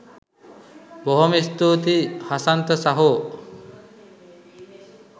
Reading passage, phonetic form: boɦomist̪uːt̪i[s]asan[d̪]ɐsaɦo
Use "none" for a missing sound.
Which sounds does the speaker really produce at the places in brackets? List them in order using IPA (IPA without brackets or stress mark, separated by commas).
h, t̪